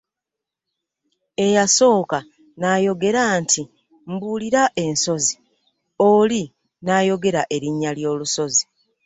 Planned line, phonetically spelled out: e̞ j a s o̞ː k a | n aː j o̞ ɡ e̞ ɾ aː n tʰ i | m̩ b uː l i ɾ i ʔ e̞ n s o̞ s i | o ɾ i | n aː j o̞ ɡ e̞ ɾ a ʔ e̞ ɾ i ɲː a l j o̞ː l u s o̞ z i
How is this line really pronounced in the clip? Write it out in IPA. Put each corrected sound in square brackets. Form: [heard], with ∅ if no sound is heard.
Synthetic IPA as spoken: e̞ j a s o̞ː k a | n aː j o̞ ɡ e̞ ɾ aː n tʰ i | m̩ b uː l i ɾ [a] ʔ e̞ n s o̞ [z] i | o [l] i | n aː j o̞ ɡ e̞ ɾ a ʔ e̞ ɾ i ɲː a l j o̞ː l u s o̞ z i